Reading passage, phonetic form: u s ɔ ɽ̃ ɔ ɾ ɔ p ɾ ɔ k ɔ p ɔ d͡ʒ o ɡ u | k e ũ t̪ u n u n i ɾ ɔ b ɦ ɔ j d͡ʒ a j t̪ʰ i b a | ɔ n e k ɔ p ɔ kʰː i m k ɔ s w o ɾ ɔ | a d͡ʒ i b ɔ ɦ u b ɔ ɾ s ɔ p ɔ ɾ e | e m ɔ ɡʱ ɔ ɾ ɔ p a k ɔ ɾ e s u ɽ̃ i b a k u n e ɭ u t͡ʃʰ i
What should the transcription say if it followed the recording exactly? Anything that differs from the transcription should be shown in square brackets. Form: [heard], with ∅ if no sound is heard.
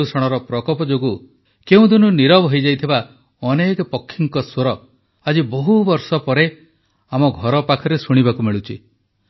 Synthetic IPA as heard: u s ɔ ɽ̃ ɔ ɾ ɔ p ɾ ɔ k ɔ p ɔ d͡ʒ o ɡ u | k e ũ [d̪] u n u n i ɾ ɔ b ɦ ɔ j d͡ʒ a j t̪ʰ i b a | ɔ n e k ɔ p ɔ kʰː i [ŋ] k ɔ s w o ɾ ɔ | a d͡ʒ i b ɔ ɦ u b ɔ ɾ s ɔ p ɔ ɾ e | [a] m ɔ ɡʱ ɔ ɾ ɔ p a [kʰ] ɔ ɾ e s u ɽ̃ i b a k u [m] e ɭ u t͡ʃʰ i